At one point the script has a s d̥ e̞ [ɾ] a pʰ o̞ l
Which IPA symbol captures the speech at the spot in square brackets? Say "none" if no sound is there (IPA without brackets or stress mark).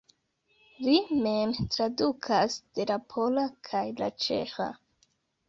l